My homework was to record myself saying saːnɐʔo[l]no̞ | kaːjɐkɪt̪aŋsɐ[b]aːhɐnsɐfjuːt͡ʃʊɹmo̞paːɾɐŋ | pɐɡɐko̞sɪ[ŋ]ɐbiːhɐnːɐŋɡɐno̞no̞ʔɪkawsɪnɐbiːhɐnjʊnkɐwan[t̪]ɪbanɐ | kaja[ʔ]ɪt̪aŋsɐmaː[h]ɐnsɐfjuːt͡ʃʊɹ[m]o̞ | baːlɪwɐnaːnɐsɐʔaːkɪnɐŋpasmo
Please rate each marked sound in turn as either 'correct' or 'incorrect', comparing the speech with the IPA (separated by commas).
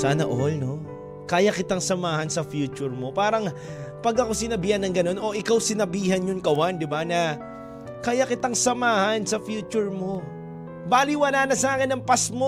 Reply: correct, incorrect, incorrect, incorrect, incorrect, correct, correct